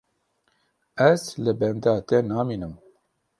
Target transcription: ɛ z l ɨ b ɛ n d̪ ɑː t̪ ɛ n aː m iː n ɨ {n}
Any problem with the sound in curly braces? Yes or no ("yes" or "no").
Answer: yes